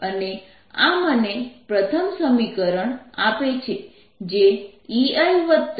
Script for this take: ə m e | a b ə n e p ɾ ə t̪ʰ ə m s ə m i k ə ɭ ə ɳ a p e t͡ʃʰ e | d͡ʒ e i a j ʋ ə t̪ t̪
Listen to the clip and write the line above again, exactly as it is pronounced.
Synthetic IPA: ə n e | a m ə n e p ɾ ə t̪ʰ ə m s ə m i k ə ɾ ə ɳ a p e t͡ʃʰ e | d͡ʒ e i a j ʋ ə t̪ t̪

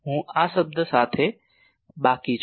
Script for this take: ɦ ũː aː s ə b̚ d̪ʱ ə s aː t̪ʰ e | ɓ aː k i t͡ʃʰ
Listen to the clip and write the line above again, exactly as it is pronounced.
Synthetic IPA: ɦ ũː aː s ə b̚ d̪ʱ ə s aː t̪ʰ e | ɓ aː k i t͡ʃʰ

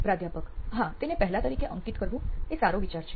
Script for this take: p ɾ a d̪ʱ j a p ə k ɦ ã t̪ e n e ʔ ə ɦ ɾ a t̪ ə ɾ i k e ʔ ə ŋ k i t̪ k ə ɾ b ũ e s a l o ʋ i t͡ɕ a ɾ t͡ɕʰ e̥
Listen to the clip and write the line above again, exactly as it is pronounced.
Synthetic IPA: p ɾ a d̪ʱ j a p ə k ɦ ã t̪ e n e p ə ɦ l a t̪ ə ɾ i k e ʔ ə ŋ k i t̪ k ə ɾ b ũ e s a ɾ o ʋ i t͡ɕ a ɾ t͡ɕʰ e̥

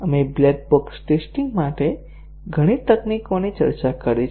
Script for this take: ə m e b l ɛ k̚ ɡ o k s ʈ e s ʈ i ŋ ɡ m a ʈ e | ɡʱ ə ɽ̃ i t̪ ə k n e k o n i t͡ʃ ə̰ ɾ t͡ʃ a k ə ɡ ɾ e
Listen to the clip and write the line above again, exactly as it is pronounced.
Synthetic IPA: ə m e b l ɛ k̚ b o k s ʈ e s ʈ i ŋ ɡ m a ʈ e | ɡʱ ə ɽ̃ i t̪ ə k n i k o n i t͡ʃ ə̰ ɾ t͡ʃ a k ə ɾ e

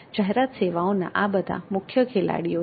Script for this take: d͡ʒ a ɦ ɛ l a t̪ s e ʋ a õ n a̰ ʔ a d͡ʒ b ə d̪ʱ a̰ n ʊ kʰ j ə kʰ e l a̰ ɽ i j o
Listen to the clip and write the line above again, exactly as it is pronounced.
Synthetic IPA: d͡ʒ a ɦ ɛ ɾ a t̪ s e ʋ a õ n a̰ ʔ a b ə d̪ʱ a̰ m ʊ kʰ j ə kʰ e l a̰ ɽ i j o

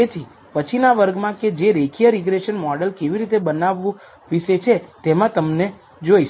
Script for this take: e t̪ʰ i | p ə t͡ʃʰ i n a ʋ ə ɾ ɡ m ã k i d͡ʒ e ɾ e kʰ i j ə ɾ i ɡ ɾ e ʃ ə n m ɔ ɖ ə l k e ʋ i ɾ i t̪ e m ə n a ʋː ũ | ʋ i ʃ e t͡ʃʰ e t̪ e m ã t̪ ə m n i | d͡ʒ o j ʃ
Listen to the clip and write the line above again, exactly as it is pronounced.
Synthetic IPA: e t̪ʰ i | p ə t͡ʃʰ i n a ʋ ə ɾ ɡ m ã k e d͡ʒ e ɾ e kʰ i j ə ɾ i ɡ ɾ e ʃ ə n m ɔ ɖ ə l k e ʋ i ɾ i t̪ e b ə n a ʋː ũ | ʋ i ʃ e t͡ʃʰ e t̪ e m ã t̪ ə m n e | d͡ʒ o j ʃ

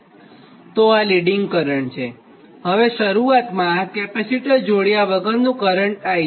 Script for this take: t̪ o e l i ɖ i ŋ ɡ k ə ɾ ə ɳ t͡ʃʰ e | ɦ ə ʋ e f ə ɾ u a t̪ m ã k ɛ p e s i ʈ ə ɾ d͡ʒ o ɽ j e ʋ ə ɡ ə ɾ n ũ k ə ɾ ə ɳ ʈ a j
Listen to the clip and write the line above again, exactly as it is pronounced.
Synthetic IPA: t̪ o a l i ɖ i ŋ ɡ k ə ɾ ə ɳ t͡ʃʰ e | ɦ ə ʋ e ʃ ə ɾ u a t̪ m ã k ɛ p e s i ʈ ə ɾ d͡ʒ o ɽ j a ʋ ə ɡ ə ɾ n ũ k ə ɾ ə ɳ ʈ a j

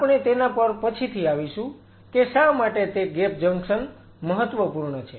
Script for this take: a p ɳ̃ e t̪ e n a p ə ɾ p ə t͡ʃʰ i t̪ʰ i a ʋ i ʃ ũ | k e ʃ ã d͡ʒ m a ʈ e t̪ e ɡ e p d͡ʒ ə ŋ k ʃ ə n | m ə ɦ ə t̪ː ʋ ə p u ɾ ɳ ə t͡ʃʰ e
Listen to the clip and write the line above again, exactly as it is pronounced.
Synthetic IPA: a p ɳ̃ e t̪ e n a p ə ɾ p ə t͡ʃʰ i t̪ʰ i a ʋ i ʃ ũ | k e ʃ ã m a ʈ e t̪ e ɡ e p d͡ʒ ə ŋ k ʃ ə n | m ə ɦ ə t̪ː ʋ ə p u ɾ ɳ ə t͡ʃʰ e

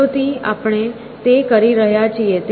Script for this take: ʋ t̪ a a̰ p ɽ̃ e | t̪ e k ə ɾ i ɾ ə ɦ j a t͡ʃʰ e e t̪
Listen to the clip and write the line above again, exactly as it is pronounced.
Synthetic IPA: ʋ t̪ i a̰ p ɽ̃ e | t̪ e k ə ɾ i ɾ ə ɦ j a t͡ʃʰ i e t̪

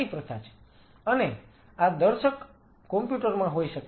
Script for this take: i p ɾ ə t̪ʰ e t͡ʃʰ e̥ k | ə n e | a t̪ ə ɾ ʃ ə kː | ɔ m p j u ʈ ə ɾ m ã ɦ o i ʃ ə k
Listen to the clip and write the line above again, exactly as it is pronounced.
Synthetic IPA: i p ɾ ə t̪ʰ a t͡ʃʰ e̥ | ə n e | a d̪ ə ɾ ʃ ə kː | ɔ m p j u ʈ ə ɾ m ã ɦ o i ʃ ə k

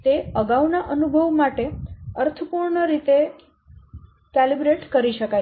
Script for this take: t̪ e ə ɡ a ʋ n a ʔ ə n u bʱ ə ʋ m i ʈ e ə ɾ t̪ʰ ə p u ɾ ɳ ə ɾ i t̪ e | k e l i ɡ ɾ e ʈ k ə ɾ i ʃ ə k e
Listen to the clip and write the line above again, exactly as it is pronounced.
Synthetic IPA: t̪ e ə ɡ a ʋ n a ʔ ə n u bʱ ə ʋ m a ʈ e ə ɾ t̪ʰ ə p u ɾ ɳ ə ɾ i t̪ e | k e l i b ɾ e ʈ k ə ɾ i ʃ ə k a

